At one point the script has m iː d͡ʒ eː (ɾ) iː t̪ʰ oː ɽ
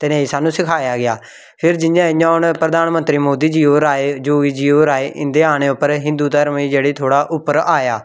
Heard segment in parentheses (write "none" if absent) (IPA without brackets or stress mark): ɽ